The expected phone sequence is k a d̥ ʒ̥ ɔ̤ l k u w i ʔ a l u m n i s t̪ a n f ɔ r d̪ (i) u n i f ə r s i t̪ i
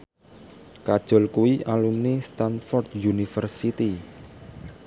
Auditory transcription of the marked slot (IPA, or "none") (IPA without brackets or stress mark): j